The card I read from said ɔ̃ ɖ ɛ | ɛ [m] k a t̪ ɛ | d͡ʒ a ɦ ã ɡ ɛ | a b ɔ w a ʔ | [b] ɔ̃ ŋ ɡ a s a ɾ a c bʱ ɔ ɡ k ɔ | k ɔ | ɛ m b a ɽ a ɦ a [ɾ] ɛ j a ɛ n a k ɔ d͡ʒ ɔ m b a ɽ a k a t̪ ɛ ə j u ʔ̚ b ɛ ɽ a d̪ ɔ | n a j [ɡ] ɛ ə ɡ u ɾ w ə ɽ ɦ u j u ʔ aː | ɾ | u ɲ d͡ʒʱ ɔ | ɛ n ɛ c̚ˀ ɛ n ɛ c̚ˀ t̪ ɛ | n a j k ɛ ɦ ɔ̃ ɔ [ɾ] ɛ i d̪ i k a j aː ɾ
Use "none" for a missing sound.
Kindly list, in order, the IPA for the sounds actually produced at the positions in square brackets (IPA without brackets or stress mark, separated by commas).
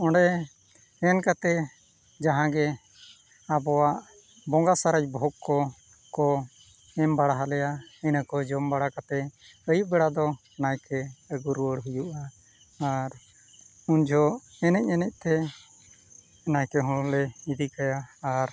n, b, l, k, l